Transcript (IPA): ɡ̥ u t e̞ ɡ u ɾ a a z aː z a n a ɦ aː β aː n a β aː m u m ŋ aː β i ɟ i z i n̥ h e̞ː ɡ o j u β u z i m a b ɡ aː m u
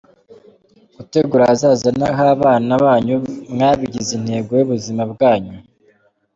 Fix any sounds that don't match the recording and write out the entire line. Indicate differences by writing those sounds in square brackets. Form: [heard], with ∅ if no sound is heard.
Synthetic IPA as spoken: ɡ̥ u t e̞ ɡ u ɾ a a z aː z a n a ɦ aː β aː n a β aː [ɲ] u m ŋ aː β i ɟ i z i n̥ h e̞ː ɡ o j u β u z i m a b ɡ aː [ɲ] u